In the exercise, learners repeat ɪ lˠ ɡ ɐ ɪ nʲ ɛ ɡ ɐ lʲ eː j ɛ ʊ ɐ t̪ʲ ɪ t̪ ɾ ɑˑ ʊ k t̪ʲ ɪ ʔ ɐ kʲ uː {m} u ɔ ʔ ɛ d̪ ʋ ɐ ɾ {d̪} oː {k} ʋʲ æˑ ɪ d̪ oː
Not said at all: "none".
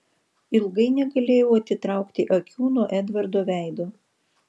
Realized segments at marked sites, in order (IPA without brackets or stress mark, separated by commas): n, d̪, none